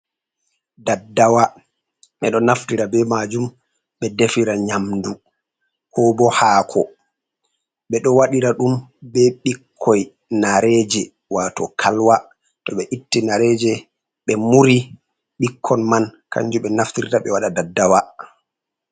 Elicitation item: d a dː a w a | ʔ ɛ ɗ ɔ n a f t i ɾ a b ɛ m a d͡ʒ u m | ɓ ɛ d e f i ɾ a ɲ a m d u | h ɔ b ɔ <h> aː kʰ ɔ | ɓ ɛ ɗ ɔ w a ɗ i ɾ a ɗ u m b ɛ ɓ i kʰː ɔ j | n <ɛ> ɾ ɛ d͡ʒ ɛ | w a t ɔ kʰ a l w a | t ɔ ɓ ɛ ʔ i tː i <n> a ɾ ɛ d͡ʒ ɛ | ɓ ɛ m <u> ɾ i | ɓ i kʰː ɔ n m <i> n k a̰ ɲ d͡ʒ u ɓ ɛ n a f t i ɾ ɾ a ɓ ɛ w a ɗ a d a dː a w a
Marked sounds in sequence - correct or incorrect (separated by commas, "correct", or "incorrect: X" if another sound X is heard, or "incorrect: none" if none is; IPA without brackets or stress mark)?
correct, incorrect: a, correct, correct, incorrect: a